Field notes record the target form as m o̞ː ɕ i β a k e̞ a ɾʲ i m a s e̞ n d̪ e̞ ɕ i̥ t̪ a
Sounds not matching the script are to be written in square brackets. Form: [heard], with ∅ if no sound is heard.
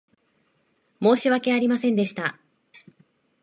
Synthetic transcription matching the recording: m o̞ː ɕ i β a k e̞ a ɾʲ i m a s [ẽ̞] n d̪ e̞ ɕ i̥ t̪ a